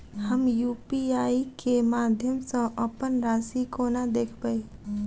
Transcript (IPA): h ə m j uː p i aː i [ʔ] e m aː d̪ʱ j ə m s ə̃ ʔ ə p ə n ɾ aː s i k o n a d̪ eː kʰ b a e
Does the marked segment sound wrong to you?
yes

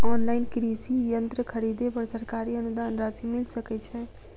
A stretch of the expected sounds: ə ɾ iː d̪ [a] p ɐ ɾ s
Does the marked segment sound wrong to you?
yes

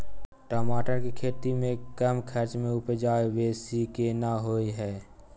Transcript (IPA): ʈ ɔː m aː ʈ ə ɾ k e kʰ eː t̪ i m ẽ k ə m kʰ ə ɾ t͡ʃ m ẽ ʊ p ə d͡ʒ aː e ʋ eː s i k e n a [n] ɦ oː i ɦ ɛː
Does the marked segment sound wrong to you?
yes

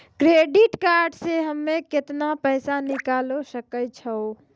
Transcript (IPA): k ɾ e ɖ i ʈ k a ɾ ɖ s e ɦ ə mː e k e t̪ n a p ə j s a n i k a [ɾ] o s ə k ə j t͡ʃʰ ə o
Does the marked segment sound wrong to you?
yes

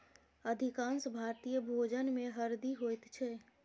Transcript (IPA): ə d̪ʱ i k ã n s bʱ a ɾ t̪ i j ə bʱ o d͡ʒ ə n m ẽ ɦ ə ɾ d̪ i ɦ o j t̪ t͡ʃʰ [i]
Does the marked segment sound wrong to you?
yes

